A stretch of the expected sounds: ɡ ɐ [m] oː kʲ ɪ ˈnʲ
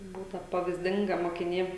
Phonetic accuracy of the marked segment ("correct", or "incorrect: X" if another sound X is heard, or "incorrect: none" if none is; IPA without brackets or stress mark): correct